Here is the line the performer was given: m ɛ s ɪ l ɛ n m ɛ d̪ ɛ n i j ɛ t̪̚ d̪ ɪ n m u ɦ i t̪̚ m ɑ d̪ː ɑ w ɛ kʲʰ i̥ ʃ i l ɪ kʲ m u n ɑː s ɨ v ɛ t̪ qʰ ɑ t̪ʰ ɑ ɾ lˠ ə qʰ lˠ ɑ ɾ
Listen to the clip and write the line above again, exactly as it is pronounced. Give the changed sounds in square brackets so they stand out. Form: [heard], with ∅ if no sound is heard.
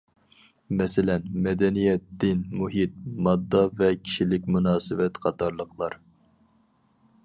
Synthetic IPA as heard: m ɛ s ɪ l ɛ n m ɛ d̪ ɛ n i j ɛ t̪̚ d̪ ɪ n m u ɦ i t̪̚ m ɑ d̪ː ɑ [v] ɛ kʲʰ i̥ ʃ i l ɪ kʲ m u n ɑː s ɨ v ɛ t̪ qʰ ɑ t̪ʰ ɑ ɾ lˠ ə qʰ lˠ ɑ ɾ